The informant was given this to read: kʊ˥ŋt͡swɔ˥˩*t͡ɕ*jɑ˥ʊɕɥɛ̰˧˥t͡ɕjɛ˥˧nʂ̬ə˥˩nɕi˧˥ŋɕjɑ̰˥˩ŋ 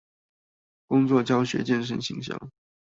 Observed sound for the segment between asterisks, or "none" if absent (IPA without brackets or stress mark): t͡ɕ